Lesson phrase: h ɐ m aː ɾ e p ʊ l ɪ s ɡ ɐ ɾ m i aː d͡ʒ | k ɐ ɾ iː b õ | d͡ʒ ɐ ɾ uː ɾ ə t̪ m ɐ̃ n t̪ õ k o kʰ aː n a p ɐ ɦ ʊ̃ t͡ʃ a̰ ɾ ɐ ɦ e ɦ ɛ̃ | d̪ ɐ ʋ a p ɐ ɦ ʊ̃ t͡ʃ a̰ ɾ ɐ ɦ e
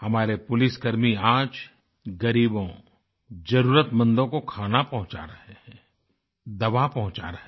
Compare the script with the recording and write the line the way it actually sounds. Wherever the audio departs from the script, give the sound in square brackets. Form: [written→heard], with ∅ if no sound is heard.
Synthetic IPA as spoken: h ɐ m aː ɾ e p ʊ l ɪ s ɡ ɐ ɾ m i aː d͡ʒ | [k→ɡ] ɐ ɾ iː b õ | d͡ʒ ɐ ɾ uː ɾ ə t̪ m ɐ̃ n [t̪→d̪] õ k o kʰ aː n a p ɐ ɦ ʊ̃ t͡ʃ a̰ ɾ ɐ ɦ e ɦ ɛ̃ | d̪ ɐ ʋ a p ɐ ɦ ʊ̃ t͡ʃ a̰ ɾ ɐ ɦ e